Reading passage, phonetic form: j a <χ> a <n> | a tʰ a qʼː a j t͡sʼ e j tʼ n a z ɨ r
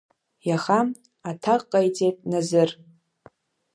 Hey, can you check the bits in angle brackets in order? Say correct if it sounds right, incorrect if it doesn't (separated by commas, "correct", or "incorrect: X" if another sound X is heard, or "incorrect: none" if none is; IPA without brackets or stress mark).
correct, incorrect: m